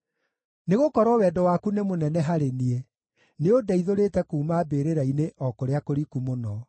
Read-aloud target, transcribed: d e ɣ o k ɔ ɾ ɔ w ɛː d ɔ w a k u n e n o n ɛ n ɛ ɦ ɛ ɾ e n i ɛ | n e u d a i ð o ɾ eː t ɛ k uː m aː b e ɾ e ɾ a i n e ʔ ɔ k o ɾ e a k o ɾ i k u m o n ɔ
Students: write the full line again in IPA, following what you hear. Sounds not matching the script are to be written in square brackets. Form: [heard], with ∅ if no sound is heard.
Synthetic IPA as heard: [n] e ɣ o k ɔ ɾ ɔ w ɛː d ɔ w a k u n e [m] o n ɛ n ɛ ɦ [a] ɾ e n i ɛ | n e [o] d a i ð o ɾ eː t ɛ k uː m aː b e ɾ e ɾ a i n e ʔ ɔ k o ɾ e a k o ɾ i k u m o n ɔ